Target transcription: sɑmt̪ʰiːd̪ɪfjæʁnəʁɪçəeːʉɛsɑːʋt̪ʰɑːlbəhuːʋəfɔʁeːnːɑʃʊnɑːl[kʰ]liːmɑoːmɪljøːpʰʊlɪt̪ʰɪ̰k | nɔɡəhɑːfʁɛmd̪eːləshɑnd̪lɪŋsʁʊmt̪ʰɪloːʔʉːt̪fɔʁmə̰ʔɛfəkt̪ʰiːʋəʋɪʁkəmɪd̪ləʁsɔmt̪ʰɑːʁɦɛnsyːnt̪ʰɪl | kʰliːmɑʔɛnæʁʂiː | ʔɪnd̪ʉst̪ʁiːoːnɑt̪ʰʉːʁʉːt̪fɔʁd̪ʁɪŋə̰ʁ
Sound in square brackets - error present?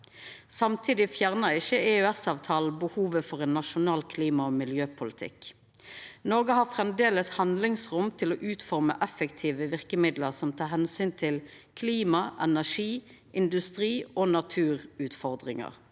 no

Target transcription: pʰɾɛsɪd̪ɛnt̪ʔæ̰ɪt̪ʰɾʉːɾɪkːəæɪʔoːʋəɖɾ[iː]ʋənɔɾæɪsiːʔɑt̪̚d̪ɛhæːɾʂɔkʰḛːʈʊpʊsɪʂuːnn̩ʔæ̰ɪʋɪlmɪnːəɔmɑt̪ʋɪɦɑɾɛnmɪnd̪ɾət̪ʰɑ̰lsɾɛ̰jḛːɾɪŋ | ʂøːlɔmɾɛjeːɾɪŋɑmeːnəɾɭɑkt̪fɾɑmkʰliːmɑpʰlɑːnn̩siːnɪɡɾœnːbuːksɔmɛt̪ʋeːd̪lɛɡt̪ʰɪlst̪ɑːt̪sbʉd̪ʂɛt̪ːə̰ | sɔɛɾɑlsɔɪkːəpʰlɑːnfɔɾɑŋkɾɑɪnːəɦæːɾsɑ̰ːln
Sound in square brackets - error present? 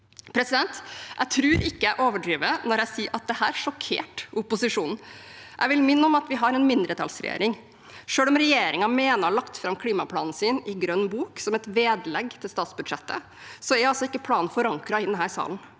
no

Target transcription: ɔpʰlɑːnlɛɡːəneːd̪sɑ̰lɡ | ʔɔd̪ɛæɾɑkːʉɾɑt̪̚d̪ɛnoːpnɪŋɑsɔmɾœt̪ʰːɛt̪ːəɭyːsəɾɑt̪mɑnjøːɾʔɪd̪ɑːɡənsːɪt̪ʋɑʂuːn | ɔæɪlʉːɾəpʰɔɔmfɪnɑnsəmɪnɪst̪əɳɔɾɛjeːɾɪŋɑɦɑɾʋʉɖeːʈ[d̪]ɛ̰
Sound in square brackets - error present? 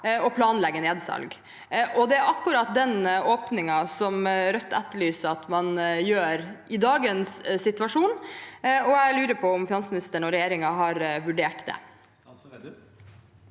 no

